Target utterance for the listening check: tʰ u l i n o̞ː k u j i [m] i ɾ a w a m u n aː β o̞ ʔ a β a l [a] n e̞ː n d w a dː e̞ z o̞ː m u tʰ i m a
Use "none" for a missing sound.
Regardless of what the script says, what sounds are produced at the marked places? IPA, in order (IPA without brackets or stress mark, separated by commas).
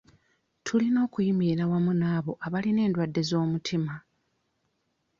m, i